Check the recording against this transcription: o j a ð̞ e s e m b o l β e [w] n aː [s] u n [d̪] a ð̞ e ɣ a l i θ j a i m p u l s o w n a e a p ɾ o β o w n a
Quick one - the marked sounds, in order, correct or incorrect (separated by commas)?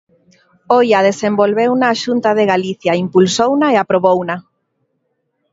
correct, incorrect, incorrect